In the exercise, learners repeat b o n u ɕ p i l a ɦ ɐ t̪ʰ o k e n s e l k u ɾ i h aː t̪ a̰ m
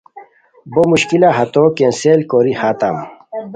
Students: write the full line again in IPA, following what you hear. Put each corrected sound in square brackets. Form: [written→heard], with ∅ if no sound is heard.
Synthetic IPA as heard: b o [n→m] u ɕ [p→k] i l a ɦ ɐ [t̪ʰ→t̪] o k e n s e l k [u→o] ɾ i h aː t̪ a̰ m